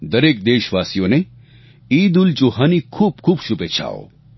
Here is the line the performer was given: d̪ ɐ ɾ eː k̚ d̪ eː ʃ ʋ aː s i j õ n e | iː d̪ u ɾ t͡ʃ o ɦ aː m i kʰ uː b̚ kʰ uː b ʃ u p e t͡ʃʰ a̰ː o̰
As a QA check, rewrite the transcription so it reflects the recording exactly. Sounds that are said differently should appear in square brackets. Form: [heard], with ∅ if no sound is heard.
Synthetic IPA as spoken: d̪ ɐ ɾ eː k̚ d̪ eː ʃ ʋ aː s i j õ n e | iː d̪ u [l] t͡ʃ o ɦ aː [n] i kʰ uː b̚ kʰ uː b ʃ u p e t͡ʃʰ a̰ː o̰